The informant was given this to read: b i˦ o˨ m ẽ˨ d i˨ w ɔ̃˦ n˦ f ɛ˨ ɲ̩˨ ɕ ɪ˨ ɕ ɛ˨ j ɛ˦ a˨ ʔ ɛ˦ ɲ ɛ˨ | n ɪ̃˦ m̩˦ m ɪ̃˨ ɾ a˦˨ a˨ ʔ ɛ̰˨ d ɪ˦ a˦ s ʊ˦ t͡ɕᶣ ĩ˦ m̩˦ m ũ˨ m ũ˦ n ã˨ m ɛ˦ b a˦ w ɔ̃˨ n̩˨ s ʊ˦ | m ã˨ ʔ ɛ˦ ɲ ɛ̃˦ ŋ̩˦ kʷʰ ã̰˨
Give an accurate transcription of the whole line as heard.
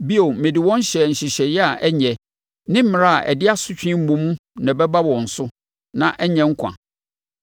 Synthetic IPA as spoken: b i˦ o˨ m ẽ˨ d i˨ w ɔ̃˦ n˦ ɕ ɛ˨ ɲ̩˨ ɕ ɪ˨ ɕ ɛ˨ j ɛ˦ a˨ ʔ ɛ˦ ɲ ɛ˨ | n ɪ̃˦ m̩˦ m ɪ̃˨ ɾ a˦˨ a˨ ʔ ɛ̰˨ d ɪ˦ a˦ s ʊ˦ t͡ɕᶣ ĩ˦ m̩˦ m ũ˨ m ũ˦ n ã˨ b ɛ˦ b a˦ w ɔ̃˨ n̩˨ s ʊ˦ | n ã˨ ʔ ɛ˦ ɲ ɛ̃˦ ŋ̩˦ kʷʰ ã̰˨